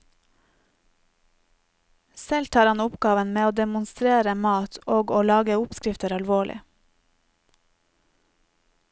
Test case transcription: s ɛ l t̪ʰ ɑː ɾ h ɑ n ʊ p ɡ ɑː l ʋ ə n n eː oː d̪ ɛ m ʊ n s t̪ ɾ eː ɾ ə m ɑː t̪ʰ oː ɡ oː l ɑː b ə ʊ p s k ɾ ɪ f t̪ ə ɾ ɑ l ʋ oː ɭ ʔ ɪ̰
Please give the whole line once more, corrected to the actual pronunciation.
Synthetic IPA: s ɛ l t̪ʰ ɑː ɾ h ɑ n ʊ p ɡ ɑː ʋ ə n m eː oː d̪ ɛ m ʊ n s t̪ ɾ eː ɾ ə m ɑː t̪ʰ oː ɡ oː l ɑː ɡ ə ʊ p s k ɾ ɪ f t̪ ə ɾ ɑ l ʋ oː ɭ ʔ ɪ̰